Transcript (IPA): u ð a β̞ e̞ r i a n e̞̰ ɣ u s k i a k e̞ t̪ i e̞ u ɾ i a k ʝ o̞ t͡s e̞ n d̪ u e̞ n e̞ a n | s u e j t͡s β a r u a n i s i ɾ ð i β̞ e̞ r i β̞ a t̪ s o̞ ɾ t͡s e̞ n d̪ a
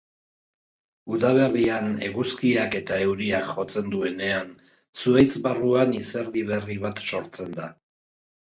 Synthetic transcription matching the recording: u ð a β̞ e̞ r i a n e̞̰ ɣ u s k i a k e̞ t̪ a e̞ w ɾ i a k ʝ o̞ t͡s e̞ n d̪ u e̞ n e̞ a n | s u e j t͡s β a r u a n i s e ɾ ð i β̞ e̞ r i β̞ a t̪ s o̞ ɾ t͡s e̞ n d̪ a

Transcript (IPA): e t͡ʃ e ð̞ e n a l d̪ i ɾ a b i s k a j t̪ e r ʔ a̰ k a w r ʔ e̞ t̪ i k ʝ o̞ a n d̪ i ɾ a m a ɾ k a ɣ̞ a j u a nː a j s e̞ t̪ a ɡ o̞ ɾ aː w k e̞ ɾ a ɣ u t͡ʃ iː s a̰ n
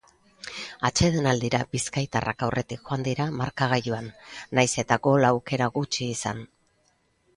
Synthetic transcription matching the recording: a t͡ʃ e ð̞ e n a l d̪ i ɾ a b i s k a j t̪ a r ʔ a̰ k a w r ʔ e̞ t̪ i k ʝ o̞ a n d̪ i ɾ a m a ɾ k a ɣ̞ a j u a nː a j s e̞ t̪ a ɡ o̞ l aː w k e̞ ɾ a ɣ u t͡ʃ iː s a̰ n

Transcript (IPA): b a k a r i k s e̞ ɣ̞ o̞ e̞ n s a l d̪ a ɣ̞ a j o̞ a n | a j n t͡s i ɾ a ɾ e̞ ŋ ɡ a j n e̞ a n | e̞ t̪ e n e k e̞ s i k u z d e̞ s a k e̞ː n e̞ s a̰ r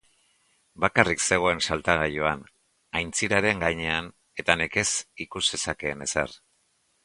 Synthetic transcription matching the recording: b a k a r i k s e̞ ɣ̞ o̞ e̞ n s a l t̪ a ɣ̞ a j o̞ a n | a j n t͡s i ɾ a ɾ e̞ ŋ ɡ a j ɲ e̞ a n | e̞ t̪ a n e k e̞ s i k u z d e̞ s a k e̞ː n e̞ s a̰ r

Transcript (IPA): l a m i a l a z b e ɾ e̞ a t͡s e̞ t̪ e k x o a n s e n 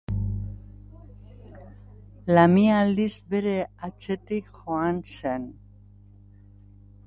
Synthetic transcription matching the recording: l a m i a l i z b e ɾ e̞ a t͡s e̞ t̪ i k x o a n s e n

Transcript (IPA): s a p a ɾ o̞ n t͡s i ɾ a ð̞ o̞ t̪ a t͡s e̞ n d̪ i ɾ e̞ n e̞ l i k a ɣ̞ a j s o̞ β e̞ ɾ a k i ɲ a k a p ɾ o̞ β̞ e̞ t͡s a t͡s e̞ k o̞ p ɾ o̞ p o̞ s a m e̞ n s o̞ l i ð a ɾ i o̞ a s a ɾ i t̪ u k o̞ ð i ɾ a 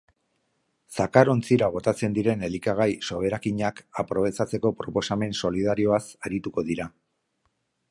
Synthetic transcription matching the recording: s a k a ɾ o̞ n t͡s i ɾ a ɣ̞ o̞ t̪ a t͡s e̞ n d̪ i ɾ e̞ n e̞ l i k a ɣ̞ a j s o̞ β e̞ ɾ a k i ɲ a k a p ɾ o̞ β̞ e̞ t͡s a t͡s e̞ k o̞ p ɾ o̞ p o̞ s a m e̞ n s o̞ l i ð a ɾ i o̞ a s a ɾ i t̪ u k o̞ ð i ɾ a

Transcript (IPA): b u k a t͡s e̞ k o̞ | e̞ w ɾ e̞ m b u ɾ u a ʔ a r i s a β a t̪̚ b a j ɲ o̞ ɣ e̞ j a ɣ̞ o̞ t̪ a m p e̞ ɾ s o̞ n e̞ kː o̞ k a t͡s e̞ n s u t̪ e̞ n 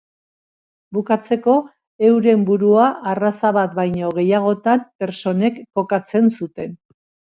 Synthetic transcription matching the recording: b u k a t͡s e̞ k o̞ | e̞ w ɾ e̞ m b u ɾ u a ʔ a r a s a β a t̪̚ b a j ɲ o̞ ɣ e̞ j a ɣ̞ o̞ t̪ a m p e̞ ɾ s o̞ n e̞ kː o̞ k a t͡s e̞ n s u t̪ e̞ n

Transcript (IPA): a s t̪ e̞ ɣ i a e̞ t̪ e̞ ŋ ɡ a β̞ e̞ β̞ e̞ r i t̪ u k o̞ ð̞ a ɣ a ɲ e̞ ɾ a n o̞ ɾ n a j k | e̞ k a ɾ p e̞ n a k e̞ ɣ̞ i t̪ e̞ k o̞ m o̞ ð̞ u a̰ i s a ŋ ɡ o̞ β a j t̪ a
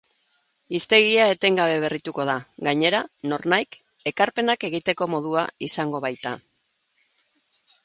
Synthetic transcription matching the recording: i s t̪ e̞ ɣ i a e̞ t̪ e̞ ŋ ɡ a β̞ e̞ β̞ e̞ r i t̪ u k o̞ ð̞ a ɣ a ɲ e̞ ɾ a n o̞ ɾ n a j k | e̞ k a ɾ p e̞ n a k e̞ ɣ̞ i t̪ e̞ k o̞ m o̞ ð̞ u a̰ i s a ŋ ɡ o̞ β a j t̪ a

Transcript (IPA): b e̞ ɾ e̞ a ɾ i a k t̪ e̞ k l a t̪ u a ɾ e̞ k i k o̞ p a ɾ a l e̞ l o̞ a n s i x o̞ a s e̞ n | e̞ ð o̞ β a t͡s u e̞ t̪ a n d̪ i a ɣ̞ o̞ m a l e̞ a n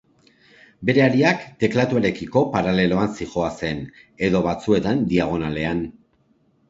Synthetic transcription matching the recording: b e̞ ɾ e̞ a ɾ i a k t̪ e̞ k l a t̪ u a ɾ e̞ k i k o̞ p a ɾ a l e̞ l o̞ a n s i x o̞ a s e̞ n | e̞ ð o̞ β a t͡s u e̞ t̪ a n d̪ i a ɣ̞ o̞ n a l e̞ a n

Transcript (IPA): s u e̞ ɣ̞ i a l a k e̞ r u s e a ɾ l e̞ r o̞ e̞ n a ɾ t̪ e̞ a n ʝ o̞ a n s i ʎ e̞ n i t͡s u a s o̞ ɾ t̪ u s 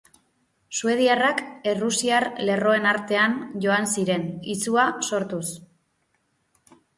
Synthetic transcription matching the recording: s u e̞ ð̞ i a r a k e̞ r u s i a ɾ l e̞ r o̞ e̞ n a ɾ t̪ e̞ a n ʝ o̞ a n s i ɾ e̞ n i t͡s u a s o̞ ɾ t̪ u s

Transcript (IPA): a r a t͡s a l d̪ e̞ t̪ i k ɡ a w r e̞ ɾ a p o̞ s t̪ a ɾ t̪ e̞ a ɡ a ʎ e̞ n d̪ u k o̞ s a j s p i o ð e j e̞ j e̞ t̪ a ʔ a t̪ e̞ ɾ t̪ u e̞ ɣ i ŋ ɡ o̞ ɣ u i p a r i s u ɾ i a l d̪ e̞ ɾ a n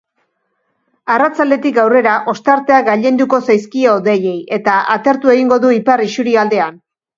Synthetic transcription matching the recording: a r a t͡s a l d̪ e̞ t̪ i k ɡ a w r e̞ ɾ a ʔ o̞ s t̪ a ɾ t̪ e̞ a ɡ a ʎ e̞ n d̪ u k o̞ s a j s k i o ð e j e̞ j e̞ t̪ a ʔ a t̪ e̞ ɾ t̪ u e̞ ɣ i ŋ ɡ o̞ ð u i p a r i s u ɾ i a l d̪ e̞ a n

